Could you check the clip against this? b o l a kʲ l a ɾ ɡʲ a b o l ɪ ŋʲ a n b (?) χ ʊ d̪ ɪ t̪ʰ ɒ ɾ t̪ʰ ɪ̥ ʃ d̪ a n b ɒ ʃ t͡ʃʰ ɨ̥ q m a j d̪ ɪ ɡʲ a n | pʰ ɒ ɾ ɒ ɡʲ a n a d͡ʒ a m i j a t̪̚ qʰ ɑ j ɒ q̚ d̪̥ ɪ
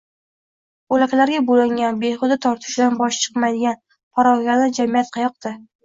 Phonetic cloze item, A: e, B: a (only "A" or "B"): A